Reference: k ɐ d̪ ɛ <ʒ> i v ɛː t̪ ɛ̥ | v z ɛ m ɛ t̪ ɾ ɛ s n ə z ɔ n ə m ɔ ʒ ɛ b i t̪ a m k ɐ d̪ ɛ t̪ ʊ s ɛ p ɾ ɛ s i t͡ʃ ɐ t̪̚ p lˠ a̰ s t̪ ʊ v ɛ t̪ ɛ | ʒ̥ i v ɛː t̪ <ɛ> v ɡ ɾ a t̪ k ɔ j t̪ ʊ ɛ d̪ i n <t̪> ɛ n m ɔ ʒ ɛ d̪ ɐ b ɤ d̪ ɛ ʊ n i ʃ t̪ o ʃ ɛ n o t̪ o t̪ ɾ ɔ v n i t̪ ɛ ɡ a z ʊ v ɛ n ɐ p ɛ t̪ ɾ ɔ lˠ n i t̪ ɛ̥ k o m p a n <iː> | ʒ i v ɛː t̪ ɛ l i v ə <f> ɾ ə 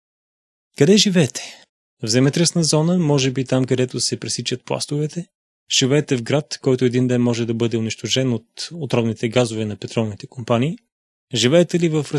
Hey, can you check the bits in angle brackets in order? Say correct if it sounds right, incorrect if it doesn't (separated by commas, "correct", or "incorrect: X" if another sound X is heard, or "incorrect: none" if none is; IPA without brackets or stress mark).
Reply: correct, correct, incorrect: d̪, correct, correct